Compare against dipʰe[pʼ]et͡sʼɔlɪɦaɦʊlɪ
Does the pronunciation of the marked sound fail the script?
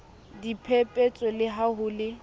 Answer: no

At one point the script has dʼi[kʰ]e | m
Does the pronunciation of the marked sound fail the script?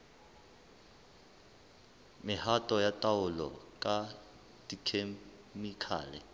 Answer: no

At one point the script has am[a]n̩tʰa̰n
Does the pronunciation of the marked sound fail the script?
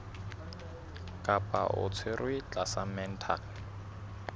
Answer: yes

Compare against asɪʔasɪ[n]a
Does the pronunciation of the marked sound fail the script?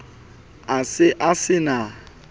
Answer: no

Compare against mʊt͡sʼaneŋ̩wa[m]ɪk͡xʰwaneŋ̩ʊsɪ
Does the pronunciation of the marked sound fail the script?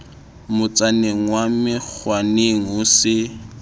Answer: no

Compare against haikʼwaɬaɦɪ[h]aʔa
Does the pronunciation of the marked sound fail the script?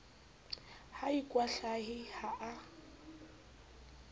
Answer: no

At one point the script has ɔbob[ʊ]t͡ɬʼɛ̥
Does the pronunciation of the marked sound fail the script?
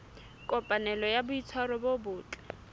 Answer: yes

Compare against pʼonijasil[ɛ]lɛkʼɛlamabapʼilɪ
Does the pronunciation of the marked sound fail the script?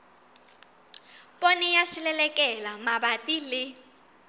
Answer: no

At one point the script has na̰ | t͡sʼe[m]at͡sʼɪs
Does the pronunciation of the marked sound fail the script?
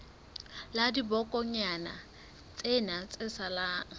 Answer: yes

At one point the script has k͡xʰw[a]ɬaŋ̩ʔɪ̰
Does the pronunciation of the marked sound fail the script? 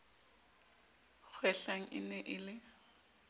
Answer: yes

